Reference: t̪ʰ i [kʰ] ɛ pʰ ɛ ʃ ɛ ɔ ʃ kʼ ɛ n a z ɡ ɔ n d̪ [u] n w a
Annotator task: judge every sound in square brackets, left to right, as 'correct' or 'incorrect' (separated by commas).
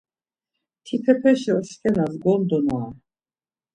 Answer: incorrect, incorrect